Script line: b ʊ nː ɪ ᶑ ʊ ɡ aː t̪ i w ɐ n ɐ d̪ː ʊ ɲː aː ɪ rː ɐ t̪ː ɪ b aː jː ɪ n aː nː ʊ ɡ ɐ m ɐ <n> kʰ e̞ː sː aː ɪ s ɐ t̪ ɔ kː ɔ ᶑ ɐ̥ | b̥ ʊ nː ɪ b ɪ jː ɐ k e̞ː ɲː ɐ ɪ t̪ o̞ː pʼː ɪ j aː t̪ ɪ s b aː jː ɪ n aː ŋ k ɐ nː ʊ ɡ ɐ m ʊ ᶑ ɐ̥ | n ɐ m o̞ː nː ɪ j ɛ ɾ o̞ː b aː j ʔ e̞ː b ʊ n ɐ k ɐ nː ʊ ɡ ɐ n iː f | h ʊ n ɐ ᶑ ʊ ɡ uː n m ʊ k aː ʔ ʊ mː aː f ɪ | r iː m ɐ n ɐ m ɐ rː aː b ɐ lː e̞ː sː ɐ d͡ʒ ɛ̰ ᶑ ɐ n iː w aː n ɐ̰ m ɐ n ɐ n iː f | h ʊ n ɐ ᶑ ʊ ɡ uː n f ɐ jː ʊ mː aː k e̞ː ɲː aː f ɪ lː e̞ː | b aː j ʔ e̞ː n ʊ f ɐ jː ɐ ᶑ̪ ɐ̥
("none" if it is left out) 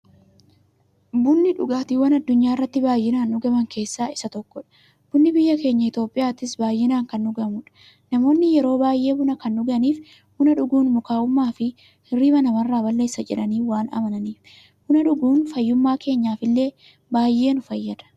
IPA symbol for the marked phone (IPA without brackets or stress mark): ŋ